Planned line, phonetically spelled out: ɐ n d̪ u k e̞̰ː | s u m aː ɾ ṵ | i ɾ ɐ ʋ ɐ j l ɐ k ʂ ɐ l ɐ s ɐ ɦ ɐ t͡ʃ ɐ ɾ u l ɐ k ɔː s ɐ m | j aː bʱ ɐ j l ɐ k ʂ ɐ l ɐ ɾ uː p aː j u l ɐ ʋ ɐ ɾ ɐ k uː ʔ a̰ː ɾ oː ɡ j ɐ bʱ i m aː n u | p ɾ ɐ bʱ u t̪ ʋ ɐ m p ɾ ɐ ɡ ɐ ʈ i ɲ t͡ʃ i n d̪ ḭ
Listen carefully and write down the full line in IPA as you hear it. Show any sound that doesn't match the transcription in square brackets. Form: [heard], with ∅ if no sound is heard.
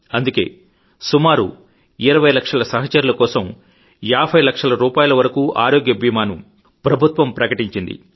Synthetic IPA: ɐ n d̪ u k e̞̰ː | s u m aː ɾ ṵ | i ɾ ɐ ʋ ɐ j l ɐ k ʂ ɐ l ɐ s ɐ ɦ ɐ t͡ʃ ɐ ɾ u l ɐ k ɔː s ɐ m | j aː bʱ ɐ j l ɐ k ʂ ɐ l ɐ ɾ uː p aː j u l ɐ ʋ ɐ ɾ ɐ k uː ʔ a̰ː ɾ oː ɡ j ɐ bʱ i m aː n u | p ɾ ɐ bʱ u t̪ ʋ ɐ m p ɾ ɐ [k] ɐ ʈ i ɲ t͡ʃ i n d̪ ḭ